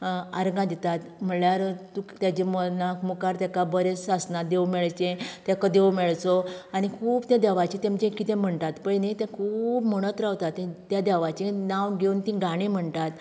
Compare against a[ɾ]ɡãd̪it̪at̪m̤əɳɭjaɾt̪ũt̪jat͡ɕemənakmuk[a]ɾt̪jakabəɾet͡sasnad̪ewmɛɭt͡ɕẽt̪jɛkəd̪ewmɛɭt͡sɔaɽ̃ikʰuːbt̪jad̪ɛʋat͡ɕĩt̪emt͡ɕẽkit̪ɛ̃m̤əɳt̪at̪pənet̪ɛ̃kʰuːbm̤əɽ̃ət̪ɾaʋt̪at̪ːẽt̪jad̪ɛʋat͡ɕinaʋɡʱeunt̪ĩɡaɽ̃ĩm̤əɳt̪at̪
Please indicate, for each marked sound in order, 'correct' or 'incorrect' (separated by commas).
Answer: correct, correct